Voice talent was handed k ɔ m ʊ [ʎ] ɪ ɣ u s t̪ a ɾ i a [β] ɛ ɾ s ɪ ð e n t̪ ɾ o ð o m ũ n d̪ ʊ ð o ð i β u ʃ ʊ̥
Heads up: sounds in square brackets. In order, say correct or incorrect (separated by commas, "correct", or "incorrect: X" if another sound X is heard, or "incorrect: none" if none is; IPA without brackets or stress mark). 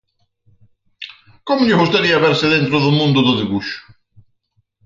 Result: correct, correct